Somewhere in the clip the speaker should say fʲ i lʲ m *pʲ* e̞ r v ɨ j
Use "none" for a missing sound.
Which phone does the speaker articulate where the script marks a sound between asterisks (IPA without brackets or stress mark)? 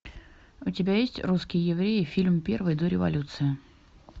pʲ